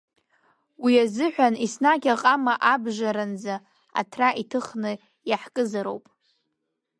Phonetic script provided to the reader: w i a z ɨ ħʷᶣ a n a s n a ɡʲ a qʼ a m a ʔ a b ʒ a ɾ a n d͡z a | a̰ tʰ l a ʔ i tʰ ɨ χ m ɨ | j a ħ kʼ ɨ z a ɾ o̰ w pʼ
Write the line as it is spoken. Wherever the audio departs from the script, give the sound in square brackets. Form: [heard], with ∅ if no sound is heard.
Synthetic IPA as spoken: w i a z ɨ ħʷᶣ a n [i] s n a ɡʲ a qʼ a m a ʔ a b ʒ a ɾ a n d͡z a | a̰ tʰ [r] a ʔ i tʰ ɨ χ [n] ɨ | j a ħ kʼ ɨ z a ɾ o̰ w pʼ